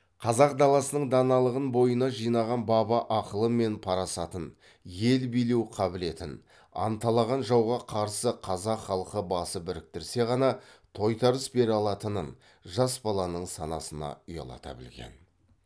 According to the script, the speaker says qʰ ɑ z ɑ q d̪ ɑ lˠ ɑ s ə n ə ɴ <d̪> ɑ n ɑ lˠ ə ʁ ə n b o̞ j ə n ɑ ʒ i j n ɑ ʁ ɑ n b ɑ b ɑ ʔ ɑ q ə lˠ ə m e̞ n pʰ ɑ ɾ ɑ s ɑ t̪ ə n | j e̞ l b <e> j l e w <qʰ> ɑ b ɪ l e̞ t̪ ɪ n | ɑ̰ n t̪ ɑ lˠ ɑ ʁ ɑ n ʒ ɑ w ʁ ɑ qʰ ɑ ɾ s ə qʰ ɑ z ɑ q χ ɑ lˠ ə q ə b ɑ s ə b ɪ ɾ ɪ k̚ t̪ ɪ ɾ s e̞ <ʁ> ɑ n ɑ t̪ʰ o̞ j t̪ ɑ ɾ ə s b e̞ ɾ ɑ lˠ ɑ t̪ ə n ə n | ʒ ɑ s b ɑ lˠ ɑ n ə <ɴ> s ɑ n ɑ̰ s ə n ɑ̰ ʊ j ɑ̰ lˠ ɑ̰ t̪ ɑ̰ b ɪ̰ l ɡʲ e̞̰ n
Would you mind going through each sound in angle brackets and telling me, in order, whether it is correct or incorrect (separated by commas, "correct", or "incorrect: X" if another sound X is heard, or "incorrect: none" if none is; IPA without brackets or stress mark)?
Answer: correct, incorrect: i, correct, correct, correct